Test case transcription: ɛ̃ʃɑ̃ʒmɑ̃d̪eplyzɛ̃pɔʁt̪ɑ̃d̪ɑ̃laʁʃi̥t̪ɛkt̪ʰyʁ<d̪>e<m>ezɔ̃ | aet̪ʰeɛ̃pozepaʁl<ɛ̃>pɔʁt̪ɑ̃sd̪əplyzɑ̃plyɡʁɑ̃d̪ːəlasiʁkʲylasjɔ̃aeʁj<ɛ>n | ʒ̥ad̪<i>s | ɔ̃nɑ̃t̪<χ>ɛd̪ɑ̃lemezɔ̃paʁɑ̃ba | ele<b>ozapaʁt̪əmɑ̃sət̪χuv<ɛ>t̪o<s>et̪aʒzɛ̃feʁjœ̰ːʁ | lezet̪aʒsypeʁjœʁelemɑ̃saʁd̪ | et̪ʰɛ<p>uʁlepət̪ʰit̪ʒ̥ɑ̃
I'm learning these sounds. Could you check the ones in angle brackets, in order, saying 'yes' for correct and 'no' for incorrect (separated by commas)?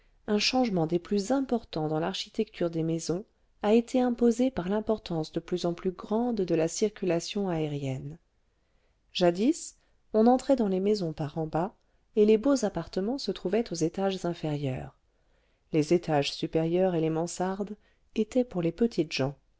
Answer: yes, yes, yes, yes, yes, yes, yes, yes, no, yes